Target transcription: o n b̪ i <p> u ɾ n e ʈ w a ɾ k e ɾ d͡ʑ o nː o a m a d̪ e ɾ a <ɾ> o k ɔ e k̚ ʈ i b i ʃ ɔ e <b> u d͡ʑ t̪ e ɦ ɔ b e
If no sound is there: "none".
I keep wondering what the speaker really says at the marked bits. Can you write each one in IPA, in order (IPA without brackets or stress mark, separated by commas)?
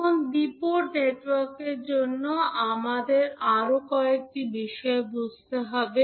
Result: p, ɾ, b